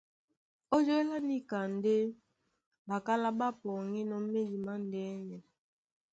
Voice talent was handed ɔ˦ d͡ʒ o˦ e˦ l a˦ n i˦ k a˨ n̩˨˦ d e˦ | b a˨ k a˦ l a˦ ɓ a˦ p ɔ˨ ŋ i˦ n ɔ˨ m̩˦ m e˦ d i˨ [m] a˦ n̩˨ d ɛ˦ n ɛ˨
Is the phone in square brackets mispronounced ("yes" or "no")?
no